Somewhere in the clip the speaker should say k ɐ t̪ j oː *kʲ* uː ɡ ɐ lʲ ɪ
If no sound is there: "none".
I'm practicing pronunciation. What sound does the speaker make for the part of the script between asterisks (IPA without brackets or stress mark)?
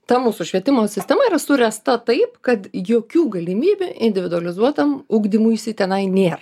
kʲ